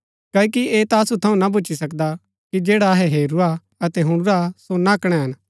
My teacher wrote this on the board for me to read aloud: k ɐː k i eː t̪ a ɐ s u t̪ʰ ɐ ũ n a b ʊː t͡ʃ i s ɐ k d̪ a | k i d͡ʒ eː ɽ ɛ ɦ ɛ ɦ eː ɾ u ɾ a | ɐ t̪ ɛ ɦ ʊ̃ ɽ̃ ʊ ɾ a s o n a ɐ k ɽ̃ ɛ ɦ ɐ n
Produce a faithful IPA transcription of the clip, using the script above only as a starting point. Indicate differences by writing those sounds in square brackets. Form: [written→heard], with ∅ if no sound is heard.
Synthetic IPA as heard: k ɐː k i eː t̪ a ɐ s u t̪ʰ ɐ ũ n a b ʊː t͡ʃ i s ɐ k d̪ a | k i d͡ʒ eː ɽ [ɛ→a] ɦ ɛ ɦ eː ɾ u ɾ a | ɐ t̪ ɛ ɦ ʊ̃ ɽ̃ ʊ ɾ a s o n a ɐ k ɽ̃ ɛ ɦ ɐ n